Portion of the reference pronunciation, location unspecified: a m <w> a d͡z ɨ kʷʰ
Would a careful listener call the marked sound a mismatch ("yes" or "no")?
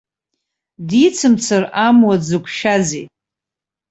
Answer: no